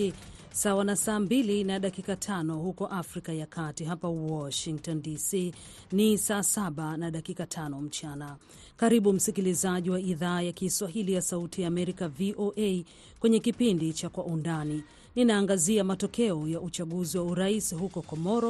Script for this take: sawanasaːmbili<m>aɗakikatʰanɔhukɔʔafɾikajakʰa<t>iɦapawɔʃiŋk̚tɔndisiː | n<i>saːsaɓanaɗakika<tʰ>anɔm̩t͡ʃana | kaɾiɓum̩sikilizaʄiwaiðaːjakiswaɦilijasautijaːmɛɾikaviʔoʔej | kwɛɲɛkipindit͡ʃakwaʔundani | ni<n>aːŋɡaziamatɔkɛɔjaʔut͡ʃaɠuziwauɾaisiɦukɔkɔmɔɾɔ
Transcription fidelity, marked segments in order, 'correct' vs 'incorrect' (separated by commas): incorrect, correct, correct, correct, correct